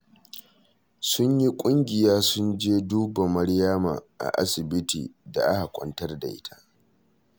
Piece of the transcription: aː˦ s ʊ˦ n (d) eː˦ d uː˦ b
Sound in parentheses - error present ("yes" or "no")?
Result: yes